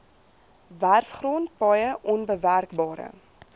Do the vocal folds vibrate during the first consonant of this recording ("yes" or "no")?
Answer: yes